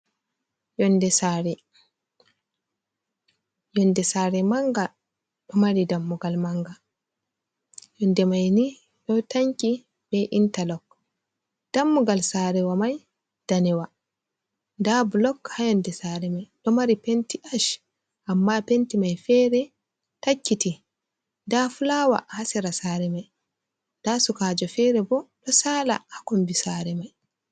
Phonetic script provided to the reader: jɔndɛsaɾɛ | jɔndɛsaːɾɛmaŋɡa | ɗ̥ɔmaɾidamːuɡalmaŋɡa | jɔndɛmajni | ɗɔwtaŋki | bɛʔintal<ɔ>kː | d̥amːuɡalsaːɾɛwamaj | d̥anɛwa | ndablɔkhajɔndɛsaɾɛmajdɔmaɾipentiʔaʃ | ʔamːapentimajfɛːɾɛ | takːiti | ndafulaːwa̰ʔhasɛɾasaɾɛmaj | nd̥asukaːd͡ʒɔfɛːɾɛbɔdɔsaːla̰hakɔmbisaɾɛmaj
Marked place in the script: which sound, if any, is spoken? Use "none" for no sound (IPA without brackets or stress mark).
ɔ